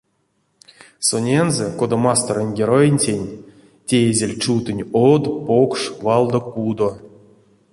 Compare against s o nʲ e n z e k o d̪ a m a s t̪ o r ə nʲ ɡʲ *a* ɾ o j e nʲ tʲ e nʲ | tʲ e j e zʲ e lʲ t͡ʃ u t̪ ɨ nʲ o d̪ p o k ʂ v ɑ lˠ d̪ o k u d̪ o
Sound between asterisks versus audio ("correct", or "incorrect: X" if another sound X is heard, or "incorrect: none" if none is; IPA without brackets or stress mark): incorrect: e